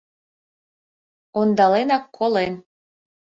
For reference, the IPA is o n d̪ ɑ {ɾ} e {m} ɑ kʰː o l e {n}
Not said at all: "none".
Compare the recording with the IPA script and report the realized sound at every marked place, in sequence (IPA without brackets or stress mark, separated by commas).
l, n, n